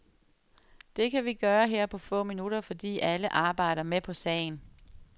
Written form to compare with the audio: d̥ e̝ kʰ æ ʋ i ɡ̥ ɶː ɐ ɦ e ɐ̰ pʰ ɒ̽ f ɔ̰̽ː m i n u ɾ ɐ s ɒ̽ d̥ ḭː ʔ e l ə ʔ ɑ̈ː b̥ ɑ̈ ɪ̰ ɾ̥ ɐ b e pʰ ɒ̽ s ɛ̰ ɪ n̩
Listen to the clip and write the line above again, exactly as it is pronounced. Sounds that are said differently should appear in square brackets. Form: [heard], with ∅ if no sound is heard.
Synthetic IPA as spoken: d̥ e̝ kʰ æ ʋ i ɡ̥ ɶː ɐ ɦ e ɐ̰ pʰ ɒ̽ f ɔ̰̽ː m i n u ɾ ɐ [f] ɒ̽ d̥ ḭː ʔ [æ] l ə ʔ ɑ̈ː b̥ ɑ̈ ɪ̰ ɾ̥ ɐ [m] e pʰ ɒ̽ s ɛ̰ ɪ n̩